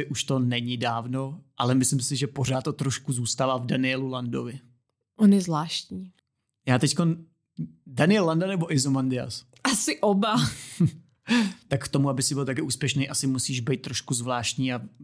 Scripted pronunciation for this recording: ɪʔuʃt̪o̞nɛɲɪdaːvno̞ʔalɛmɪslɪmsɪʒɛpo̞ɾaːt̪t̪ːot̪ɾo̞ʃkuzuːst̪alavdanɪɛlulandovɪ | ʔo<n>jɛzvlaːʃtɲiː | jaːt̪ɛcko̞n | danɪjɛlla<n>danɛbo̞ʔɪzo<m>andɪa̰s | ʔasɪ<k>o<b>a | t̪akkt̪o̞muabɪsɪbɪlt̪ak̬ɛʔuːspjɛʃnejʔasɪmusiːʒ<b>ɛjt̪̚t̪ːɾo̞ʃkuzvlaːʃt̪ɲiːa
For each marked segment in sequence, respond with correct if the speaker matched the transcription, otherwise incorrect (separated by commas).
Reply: correct, correct, correct, incorrect, correct, correct